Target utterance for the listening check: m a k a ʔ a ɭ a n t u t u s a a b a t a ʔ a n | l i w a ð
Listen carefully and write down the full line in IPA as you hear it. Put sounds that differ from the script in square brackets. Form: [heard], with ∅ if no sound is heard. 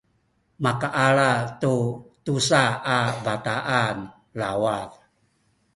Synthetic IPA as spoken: m a k a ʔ a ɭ a [∅] t u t u s a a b a t a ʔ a n | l [a] w a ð